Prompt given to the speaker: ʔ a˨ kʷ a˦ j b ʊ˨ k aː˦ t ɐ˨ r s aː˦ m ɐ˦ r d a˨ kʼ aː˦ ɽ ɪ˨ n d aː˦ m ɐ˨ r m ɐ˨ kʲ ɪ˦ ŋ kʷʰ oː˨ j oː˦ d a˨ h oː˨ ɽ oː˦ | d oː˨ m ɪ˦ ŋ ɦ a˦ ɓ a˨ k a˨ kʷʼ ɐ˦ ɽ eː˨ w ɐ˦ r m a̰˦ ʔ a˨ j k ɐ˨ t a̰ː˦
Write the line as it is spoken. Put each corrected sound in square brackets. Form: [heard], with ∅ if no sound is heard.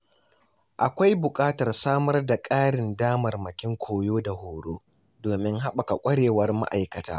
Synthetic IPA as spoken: ʔ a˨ kʷ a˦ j b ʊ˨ [kʼ] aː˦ t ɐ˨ r s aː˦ m ɐ˦ r d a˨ kʼ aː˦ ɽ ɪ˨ n d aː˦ m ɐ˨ r m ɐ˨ kʲ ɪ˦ ŋ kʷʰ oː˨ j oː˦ d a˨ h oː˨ ɽ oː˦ | d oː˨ m ɪ˦ ŋ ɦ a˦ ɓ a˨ k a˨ kʷʼ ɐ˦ ɽ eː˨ w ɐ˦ r m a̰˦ ʔ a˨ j k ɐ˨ t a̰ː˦